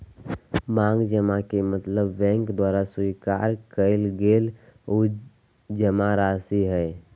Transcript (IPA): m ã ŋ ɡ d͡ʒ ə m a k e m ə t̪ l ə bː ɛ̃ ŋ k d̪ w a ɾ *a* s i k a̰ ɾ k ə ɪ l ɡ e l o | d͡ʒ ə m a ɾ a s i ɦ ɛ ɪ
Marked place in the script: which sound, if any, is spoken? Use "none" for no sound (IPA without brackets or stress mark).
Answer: a